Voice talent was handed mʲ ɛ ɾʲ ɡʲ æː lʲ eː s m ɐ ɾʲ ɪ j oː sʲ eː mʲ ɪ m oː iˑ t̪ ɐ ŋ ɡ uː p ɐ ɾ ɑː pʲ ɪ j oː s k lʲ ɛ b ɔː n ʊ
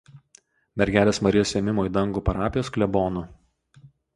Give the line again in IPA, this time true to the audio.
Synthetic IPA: mʲ ɛ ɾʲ ɡʲ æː lʲ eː s m ɐ ɾʲ ɪ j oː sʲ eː mʲ ɪ m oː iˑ d̪ ɐ ŋ ɡ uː p ɐ ɾ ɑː pʲ ɪ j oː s k lʲ ɛ b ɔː n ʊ